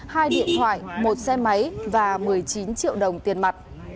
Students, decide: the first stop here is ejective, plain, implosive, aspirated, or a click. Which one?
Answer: implosive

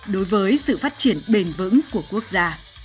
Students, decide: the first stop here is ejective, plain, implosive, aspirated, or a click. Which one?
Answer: implosive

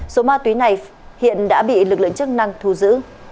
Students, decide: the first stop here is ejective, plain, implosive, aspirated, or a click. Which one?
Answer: plain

